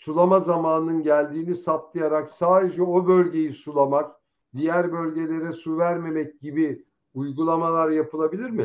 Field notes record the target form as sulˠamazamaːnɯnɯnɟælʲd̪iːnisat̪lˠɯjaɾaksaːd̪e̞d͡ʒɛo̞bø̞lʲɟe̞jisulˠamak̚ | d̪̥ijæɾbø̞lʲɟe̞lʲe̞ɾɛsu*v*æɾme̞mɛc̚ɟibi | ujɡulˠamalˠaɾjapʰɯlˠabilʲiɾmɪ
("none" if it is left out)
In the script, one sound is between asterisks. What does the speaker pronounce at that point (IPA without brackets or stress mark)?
v